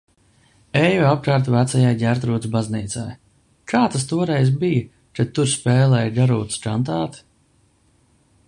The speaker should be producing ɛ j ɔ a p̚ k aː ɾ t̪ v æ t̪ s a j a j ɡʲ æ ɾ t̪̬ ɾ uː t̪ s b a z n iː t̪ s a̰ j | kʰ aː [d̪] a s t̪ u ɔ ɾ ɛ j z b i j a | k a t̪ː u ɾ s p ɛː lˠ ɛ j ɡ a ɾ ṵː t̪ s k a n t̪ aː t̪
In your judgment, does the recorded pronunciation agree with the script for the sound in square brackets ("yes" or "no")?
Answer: no